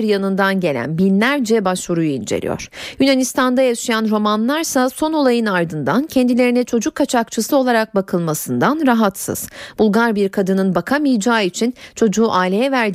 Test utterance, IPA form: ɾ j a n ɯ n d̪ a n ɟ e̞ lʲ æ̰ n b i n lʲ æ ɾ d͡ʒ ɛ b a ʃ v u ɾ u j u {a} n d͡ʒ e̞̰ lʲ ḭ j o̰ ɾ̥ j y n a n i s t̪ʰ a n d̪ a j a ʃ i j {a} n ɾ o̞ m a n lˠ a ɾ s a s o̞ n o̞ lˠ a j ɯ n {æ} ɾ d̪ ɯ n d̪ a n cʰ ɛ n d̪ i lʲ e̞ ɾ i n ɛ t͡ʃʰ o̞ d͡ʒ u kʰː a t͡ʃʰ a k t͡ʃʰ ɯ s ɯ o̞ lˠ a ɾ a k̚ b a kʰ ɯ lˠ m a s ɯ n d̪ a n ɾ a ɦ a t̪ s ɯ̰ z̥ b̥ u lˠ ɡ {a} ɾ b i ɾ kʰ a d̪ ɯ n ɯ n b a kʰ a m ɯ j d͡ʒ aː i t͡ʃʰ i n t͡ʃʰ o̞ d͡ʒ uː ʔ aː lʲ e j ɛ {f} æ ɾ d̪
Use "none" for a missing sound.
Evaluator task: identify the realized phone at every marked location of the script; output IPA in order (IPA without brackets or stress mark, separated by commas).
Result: i, a, a, a, v